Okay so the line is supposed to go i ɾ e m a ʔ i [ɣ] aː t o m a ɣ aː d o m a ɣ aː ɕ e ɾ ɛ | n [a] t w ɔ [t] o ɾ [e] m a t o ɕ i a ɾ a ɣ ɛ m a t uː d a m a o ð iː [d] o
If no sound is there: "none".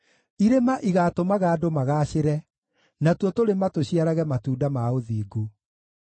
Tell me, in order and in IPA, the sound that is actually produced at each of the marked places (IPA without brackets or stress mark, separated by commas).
ɣ, a, t, e, ɡ